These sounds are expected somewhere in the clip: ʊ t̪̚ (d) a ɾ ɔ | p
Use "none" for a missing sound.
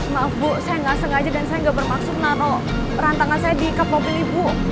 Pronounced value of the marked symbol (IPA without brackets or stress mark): n